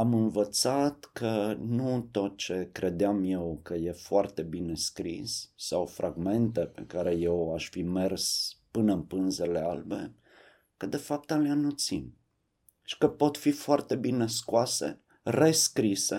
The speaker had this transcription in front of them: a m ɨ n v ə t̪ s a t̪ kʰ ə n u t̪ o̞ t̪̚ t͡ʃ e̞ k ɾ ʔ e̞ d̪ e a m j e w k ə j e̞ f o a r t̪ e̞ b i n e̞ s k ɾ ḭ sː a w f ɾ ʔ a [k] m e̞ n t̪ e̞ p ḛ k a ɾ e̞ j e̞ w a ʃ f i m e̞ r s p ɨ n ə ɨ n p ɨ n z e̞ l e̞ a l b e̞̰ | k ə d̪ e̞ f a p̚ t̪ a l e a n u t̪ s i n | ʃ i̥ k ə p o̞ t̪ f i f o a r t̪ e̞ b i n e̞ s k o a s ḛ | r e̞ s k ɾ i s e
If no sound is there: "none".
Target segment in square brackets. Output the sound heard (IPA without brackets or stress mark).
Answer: ɡ